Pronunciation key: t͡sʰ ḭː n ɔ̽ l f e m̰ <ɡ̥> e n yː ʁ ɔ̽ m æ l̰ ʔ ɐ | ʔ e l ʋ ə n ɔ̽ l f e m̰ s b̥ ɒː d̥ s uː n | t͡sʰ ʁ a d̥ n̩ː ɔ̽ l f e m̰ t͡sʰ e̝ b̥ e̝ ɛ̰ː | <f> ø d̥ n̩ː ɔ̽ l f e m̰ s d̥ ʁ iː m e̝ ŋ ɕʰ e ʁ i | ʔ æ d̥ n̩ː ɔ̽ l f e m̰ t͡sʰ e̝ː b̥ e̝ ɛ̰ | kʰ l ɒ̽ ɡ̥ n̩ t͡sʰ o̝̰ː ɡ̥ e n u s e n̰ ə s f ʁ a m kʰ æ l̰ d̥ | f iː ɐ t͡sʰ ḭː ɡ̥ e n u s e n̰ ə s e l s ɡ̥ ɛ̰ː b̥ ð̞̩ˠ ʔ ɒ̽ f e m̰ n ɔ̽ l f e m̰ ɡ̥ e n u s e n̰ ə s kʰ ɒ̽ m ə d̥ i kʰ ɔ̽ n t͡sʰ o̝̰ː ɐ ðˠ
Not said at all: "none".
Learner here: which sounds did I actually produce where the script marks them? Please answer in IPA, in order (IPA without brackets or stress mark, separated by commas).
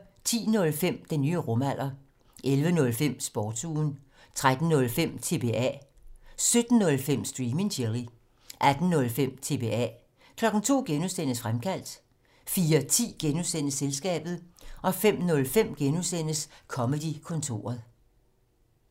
d̥, s